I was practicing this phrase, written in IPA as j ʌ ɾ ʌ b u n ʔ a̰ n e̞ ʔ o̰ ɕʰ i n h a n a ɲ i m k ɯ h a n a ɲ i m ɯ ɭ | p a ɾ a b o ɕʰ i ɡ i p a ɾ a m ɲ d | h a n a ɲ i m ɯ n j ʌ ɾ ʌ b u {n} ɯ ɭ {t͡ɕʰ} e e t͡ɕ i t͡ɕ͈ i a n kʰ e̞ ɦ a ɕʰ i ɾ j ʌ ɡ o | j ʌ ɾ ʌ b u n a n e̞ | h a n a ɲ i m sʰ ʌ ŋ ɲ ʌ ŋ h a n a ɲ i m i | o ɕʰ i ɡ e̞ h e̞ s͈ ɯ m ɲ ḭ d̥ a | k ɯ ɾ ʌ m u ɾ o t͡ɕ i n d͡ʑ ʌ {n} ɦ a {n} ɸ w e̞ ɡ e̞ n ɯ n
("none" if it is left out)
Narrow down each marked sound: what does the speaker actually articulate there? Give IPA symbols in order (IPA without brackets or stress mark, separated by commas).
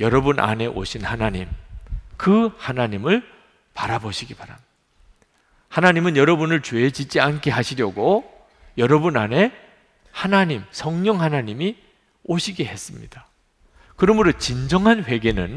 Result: n, t͡ɕ, ŋ, n